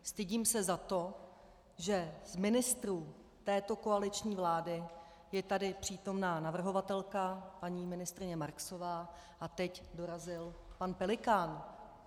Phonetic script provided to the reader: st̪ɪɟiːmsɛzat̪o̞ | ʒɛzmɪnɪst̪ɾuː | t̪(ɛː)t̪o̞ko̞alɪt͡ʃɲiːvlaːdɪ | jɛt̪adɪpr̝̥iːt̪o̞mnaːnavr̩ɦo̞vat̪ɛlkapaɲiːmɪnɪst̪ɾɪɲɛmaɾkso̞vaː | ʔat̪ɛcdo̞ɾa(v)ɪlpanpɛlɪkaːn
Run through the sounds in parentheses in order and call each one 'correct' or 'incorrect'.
correct, incorrect

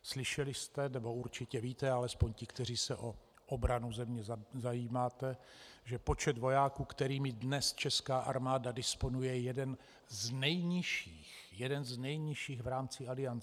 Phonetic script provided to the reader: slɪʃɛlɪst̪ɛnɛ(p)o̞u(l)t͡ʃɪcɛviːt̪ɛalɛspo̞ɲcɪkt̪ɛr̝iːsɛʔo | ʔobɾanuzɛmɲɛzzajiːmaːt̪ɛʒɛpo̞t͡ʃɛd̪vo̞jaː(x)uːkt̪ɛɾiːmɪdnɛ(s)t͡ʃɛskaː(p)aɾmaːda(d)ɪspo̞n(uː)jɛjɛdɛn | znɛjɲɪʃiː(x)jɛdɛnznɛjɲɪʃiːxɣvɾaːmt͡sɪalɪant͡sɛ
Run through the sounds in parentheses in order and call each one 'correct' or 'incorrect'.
incorrect, incorrect, incorrect, correct, incorrect, correct, incorrect, correct

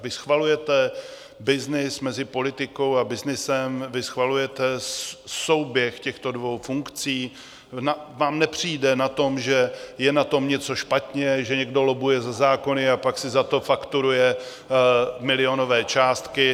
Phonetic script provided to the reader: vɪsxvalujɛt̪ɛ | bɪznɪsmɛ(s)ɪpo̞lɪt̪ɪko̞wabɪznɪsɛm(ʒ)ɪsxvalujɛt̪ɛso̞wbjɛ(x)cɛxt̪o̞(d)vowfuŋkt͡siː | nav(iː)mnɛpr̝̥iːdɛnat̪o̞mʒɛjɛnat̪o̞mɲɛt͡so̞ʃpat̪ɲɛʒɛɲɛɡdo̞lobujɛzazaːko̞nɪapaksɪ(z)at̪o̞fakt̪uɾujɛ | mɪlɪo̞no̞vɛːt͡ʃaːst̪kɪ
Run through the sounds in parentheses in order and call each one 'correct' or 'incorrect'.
incorrect, incorrect, correct, correct, incorrect, correct

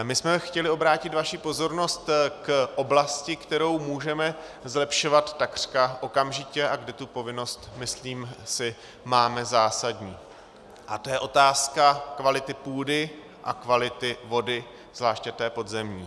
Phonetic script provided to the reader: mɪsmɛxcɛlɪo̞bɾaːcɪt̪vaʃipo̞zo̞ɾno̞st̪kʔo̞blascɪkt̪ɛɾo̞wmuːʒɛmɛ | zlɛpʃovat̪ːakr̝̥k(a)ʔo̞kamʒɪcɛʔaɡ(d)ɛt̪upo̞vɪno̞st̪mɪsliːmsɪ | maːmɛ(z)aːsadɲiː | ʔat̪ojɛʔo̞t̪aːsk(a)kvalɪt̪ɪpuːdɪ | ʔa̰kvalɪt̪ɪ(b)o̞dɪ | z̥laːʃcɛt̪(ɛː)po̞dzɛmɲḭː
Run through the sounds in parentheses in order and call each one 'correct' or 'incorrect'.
correct, correct, correct, correct, incorrect, correct

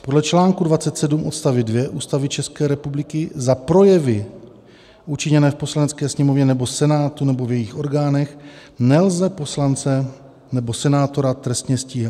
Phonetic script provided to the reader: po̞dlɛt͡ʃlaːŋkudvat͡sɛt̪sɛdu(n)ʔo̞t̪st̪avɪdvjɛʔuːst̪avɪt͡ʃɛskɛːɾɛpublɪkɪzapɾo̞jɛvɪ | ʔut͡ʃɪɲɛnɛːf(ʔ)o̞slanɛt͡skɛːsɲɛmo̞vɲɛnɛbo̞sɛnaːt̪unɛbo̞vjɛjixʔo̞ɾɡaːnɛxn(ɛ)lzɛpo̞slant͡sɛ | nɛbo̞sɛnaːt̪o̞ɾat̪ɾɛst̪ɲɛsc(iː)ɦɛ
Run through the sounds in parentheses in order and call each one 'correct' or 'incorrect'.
incorrect, incorrect, correct, correct

